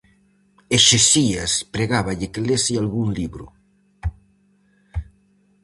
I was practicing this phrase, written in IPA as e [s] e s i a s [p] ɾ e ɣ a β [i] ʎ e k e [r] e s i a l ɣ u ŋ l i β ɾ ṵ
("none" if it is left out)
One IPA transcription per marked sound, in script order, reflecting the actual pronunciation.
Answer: ʃ, p, a, l

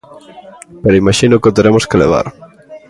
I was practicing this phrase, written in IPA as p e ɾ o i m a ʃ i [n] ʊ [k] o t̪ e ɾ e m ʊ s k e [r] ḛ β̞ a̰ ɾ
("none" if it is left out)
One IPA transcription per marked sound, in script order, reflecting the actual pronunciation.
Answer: n, k, l

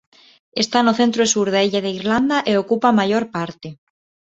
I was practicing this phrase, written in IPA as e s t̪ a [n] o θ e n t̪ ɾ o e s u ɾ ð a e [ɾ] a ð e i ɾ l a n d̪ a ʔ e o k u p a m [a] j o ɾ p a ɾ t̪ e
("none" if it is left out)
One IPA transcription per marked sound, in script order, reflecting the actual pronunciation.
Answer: n, ʎ, a

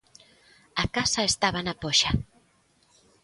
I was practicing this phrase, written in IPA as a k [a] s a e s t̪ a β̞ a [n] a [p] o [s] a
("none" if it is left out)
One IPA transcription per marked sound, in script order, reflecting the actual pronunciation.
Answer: a, n, p, ʃ

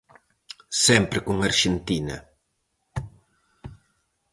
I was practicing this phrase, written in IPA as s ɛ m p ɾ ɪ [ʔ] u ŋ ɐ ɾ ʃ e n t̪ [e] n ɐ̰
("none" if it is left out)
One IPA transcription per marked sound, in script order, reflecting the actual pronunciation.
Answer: k, i

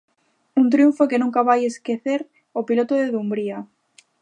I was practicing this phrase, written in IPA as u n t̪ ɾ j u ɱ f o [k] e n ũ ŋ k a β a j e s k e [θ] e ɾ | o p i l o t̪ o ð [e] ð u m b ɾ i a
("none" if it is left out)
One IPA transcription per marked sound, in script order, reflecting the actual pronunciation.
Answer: k, θ, e

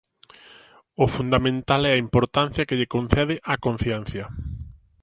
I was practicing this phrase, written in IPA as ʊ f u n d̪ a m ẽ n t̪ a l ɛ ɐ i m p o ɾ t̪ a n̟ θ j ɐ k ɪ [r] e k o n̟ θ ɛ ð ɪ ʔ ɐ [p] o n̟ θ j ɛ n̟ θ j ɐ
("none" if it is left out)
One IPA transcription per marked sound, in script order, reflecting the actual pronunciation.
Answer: ʎ, k

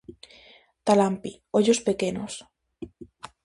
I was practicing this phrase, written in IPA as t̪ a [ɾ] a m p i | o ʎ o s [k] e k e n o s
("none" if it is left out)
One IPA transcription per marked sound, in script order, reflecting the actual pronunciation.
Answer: l, p

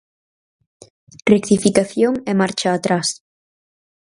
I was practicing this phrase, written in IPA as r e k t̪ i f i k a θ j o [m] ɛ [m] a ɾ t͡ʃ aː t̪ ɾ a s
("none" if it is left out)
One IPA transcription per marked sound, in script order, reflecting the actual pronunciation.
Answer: ŋ, m

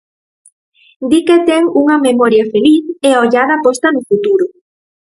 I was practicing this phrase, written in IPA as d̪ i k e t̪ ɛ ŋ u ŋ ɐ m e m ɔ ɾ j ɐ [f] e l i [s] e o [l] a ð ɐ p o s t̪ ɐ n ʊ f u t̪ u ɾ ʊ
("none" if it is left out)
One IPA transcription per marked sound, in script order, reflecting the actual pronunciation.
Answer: f, θ, ʎ

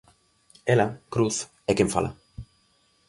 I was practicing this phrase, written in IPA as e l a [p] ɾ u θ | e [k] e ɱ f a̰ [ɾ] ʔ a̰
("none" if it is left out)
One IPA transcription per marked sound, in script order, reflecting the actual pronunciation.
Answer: k, k, l

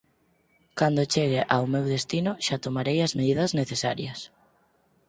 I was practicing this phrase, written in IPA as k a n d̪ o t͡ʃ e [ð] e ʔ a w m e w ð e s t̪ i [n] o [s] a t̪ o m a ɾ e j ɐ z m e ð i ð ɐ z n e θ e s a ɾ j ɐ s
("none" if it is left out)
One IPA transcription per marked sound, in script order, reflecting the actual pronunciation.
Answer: ɣ, n, ʃ

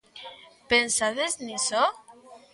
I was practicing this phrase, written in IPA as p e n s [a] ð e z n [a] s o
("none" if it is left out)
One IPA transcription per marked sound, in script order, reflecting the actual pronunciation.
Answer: a, i

